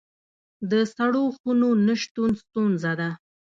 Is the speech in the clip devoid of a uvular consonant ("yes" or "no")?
yes